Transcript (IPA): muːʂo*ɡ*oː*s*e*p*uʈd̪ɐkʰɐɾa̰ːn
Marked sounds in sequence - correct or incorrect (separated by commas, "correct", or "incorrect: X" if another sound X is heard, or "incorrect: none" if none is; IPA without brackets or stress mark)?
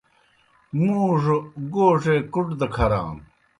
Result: correct, incorrect: ʂ, incorrect: k